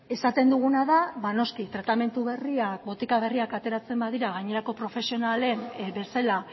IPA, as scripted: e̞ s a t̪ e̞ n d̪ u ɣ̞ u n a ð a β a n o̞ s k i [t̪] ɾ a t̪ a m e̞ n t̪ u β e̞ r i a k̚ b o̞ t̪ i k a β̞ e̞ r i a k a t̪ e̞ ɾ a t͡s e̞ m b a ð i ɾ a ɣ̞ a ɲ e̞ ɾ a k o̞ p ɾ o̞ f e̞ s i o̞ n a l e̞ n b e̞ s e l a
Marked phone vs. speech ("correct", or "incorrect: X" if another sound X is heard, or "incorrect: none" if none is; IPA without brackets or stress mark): correct